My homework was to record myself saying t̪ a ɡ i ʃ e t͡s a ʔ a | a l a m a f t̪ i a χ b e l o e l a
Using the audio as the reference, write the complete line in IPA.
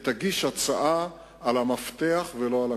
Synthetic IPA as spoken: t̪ a ɡ i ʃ a t͡s a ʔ a | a l a m a f t̪ e a χ v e l o a l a